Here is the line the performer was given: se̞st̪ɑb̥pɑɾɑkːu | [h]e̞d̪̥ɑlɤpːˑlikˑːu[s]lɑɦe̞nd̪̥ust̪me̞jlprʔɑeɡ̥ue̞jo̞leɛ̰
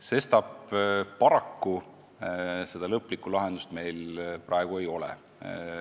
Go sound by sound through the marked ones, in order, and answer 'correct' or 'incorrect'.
incorrect, incorrect

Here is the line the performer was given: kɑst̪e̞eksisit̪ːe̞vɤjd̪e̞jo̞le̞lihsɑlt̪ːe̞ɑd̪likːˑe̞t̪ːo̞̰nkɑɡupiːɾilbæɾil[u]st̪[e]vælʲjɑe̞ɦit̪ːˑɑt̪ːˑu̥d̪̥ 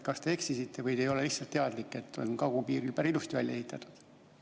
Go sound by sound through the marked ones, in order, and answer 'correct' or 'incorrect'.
correct, incorrect

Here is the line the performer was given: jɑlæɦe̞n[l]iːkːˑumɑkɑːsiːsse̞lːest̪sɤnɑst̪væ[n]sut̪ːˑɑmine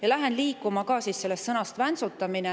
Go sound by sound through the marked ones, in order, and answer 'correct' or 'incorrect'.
correct, correct

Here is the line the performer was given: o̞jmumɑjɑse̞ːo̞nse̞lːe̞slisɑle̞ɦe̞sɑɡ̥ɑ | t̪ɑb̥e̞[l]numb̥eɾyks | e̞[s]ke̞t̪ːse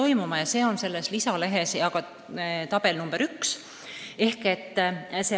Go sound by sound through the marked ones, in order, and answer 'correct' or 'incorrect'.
correct, incorrect

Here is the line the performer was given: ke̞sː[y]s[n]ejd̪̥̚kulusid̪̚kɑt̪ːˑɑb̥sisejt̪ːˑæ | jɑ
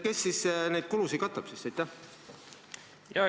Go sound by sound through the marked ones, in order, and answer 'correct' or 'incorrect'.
incorrect, correct

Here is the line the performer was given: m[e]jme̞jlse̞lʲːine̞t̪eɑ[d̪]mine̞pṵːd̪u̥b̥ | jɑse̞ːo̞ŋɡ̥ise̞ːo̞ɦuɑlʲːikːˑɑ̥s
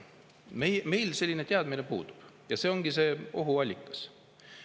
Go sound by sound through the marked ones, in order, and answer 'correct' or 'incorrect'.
correct, correct

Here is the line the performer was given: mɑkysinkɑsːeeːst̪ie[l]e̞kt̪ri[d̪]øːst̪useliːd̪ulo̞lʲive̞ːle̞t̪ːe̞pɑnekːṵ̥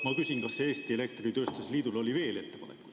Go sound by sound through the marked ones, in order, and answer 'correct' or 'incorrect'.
correct, incorrect

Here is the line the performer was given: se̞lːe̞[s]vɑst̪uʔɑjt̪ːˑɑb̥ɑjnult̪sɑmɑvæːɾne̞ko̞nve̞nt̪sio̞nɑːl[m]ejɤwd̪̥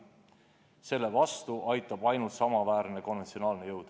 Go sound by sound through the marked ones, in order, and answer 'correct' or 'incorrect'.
incorrect, incorrect

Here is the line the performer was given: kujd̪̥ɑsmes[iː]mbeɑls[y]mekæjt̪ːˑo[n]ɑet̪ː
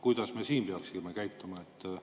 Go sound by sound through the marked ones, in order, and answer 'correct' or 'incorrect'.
correct, incorrect, incorrect

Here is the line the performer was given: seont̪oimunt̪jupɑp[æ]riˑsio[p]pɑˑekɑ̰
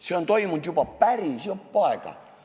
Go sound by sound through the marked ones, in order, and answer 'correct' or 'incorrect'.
correct, correct

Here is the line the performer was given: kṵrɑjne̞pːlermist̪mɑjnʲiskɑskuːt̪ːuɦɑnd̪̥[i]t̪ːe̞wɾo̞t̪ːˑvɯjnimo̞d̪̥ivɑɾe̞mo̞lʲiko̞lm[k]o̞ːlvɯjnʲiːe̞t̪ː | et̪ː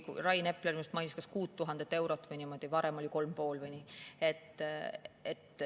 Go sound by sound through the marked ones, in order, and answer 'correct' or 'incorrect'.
incorrect, incorrect

